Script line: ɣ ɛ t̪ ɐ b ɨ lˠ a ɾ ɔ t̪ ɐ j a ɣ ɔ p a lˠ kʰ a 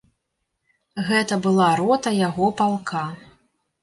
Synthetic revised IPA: ɣ ɛ t̪ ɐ b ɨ lˠ a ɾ ɔ t̪ ɐ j a ɣ ɔ p a lˠ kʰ a